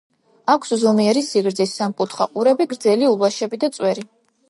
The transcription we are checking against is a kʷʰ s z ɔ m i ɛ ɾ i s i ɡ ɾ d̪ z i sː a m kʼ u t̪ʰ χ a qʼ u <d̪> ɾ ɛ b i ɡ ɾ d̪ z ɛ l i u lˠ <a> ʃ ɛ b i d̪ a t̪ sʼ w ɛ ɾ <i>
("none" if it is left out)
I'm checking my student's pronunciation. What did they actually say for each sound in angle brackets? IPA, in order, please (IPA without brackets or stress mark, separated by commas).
none, a, i